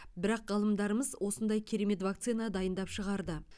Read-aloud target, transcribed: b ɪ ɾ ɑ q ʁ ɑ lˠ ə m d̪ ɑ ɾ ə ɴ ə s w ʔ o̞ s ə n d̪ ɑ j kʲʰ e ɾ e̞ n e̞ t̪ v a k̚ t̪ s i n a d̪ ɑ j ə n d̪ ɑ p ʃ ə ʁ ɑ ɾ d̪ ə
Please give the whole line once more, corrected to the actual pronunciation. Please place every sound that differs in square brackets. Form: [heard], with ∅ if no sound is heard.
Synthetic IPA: b ɪ ɾ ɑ q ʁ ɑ lˠ ə m d̪ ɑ ɾ ə [m] ə [z] w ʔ o̞ s ə n d̪ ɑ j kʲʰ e ɾ e̞ [m] e̞ t̪ v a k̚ t̪ s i n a d̪ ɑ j ə n d̪ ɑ p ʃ ə ʁ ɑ ɾ d̪ ə

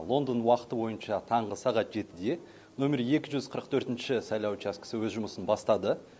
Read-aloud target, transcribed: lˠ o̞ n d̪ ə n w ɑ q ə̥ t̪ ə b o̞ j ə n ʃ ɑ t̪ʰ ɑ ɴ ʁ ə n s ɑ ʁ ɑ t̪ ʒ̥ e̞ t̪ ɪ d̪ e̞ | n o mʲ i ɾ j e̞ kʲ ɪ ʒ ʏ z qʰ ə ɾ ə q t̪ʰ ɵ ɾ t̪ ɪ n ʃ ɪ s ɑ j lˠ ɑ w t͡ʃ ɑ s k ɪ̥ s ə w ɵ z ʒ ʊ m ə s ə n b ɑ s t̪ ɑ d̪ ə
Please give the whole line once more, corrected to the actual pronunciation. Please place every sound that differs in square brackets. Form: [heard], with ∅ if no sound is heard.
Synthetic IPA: lˠ o̞ n d̪ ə n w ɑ q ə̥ t̪ ə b o̞ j ə n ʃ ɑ t̪ʰ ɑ ɴ ʁ ə [∅] s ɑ ʁ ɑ t̪ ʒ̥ e̞ t̪ ɪ d̪ e̞ | n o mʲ [e] ɾ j e̞ kʲ ɪ ʒ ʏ z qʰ ə ɾ ə q t̪ʰ ɵ ɾ t̪ ɪ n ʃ ɪ s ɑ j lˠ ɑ w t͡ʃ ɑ s k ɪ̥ s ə w ɵ z ʒ ʊ m ə s ə n b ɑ s t̪ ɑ d̪ ə

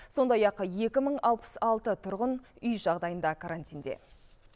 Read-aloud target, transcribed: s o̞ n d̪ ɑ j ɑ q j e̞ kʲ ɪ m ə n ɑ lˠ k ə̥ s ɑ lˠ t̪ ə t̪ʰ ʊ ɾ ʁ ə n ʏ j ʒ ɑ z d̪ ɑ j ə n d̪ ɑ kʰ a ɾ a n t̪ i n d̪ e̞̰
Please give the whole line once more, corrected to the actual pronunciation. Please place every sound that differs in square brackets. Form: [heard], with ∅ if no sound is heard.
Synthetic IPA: s o̞ n d̪ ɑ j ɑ q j e̞ kʲ ɪ m ə [ɴ] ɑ lˠ [p] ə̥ s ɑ lˠ t̪ ə t̪ʰ ʊ ɾ ʁ ə n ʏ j ʒ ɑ [ʁ] d̪ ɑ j ə n d̪ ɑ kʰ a ɾ a n t̪ i n d̪ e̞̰

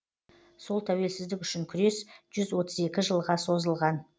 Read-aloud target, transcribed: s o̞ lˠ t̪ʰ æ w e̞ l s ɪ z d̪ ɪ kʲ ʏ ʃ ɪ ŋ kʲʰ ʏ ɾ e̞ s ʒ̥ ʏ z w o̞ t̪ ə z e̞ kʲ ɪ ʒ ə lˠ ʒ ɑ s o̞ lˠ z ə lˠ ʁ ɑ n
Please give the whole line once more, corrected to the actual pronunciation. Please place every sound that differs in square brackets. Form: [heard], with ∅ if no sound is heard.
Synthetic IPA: s o̞ lˠ t̪ʰ æ w e̞ l s ɪ z d̪ ɪ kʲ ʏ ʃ ɪ ŋ kʲʰ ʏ ɾ e̞ s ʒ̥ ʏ z w o̞ t̪ ə z e̞ kʲ ɪ ʒ ə lˠ [ʁ] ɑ s o̞ [∅] z ə lˠ ʁ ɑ n

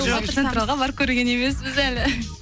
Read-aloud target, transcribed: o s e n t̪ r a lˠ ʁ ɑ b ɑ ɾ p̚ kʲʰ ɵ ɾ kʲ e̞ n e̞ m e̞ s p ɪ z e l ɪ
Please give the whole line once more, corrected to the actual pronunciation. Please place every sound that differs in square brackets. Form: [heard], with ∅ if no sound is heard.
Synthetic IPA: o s e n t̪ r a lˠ ʁ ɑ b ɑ ɾ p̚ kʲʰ ɵ ɾ [ɡʲ] e̞ n e̞ m e̞ s [b] ɪ z [æ] l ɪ

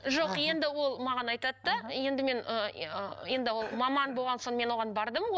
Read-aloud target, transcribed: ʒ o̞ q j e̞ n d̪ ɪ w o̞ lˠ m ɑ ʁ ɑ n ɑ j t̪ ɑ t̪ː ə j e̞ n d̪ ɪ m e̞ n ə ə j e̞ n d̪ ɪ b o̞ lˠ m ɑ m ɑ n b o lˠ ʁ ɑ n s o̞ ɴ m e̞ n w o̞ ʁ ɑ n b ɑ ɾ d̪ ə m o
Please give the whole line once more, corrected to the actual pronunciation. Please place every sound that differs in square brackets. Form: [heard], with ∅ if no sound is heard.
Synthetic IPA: ʒ o̞ q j e̞ n d̪ ɪ w o̞ lˠ m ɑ ʁ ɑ n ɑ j t̪ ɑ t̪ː ə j e̞ n d̪ ɪ m e̞ n ə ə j e̞ n d̪ ɪ [w] o̞ lˠ m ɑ m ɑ n b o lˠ ʁ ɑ n s o̞ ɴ m e̞ n w o̞ ʁ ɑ n b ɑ ɾ d̪ ə m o

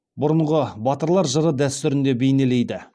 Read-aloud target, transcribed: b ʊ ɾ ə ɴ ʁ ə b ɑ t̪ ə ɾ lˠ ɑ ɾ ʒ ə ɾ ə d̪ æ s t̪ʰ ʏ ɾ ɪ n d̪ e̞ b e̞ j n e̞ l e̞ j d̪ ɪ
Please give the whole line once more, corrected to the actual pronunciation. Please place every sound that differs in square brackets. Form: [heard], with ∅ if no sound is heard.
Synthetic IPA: b ʊ ɾ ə ɴ ʁ ə b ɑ t̪ ə ɾ lˠ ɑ ɾ ʒ ə ɾ ə d̪ æ s [t̪] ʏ ɾ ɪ n d̪ e̞ b e̞ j n e̞ l e̞ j d̪ ɪ

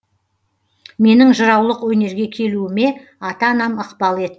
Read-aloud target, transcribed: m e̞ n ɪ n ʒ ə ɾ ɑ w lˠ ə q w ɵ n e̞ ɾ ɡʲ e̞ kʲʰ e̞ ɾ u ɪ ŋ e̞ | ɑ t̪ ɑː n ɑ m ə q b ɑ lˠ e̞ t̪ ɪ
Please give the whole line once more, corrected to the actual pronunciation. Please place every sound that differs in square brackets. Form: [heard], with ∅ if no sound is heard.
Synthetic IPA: m e̞ n ɪ [ŋ] ʒ ə ɾ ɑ w lˠ ə q w ɵ n e̞ ɾ ɡʲ e̞ kʲʰ e̞ [l] u ɪ [m] e̞ | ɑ t̪ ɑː n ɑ m ə q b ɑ lˠ e̞ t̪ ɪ

